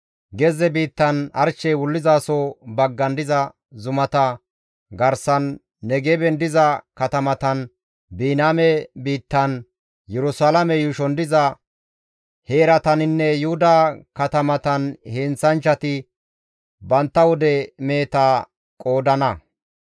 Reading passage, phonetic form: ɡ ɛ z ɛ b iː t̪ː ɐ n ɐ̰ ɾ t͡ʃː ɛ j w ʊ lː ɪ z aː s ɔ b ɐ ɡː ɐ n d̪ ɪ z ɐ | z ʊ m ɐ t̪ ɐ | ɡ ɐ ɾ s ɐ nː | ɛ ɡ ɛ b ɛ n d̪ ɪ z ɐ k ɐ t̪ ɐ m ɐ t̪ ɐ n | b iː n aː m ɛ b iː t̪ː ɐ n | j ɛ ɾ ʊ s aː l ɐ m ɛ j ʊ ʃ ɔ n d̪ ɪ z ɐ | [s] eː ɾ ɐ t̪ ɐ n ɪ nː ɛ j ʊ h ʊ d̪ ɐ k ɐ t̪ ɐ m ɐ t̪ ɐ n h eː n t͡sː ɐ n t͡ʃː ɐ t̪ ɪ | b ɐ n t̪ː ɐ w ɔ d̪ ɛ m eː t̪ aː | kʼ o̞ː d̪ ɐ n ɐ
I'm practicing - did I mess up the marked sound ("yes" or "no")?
yes